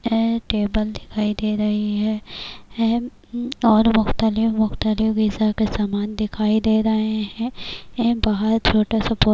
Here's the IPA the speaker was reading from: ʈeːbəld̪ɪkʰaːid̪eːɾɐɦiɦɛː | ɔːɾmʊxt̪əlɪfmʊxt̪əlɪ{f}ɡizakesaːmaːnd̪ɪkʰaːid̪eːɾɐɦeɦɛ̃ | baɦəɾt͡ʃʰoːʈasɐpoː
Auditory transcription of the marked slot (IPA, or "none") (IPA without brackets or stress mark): f